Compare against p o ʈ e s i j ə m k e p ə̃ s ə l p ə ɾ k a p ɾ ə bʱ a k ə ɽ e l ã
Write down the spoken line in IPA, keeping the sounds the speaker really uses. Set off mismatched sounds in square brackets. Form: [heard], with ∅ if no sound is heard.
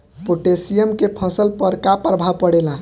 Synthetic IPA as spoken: p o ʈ e s i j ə m k e [pʰ] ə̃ s ə l p ə ɾ k a p ɾ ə bʱ a [p] ə ɽ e l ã